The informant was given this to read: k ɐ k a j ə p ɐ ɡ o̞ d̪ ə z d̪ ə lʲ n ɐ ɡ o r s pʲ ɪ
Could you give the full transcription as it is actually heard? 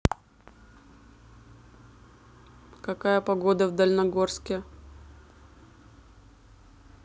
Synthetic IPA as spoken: k ɐ k a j ə p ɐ ɡ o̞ d̪ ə v d̪ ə lʲ n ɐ ɡ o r s kʲ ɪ